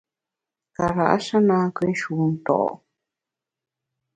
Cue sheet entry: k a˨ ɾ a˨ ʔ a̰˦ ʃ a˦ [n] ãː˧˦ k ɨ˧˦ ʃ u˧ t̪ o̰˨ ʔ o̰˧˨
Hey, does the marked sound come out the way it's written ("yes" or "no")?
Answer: yes